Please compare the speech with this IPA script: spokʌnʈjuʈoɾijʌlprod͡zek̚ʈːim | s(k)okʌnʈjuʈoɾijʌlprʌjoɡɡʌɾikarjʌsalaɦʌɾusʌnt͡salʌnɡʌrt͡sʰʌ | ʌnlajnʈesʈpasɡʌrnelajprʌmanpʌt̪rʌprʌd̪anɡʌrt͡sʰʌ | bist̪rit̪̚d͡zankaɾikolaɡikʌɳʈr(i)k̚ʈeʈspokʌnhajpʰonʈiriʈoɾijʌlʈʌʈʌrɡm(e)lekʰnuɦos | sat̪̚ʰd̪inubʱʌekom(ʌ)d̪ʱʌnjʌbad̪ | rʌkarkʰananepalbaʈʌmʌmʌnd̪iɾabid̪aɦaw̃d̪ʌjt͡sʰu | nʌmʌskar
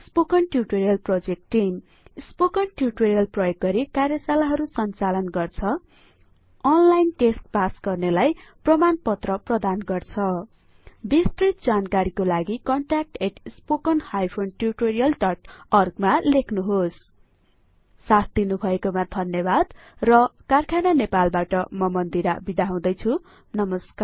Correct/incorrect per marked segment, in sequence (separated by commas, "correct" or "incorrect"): incorrect, incorrect, incorrect, incorrect